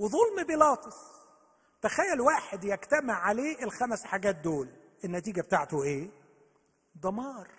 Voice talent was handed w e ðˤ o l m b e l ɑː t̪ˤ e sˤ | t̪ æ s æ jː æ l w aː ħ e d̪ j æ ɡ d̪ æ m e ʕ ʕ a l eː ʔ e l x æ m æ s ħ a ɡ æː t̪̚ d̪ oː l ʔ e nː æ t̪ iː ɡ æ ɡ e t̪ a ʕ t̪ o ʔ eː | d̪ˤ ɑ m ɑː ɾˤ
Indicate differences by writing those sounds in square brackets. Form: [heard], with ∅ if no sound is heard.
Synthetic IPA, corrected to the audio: w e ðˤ o l m b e l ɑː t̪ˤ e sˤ | t̪ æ [x] æ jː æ l w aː ħ e d̪ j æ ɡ [t̪] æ m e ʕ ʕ a l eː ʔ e l x æ m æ s ħ a ɡ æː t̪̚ d̪ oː l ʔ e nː æ t̪ iː ɡ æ [b] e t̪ a ʕ t̪ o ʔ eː | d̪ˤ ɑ m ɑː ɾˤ